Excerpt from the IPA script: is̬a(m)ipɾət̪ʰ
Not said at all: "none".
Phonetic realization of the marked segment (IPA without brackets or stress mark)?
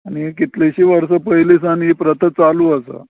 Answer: n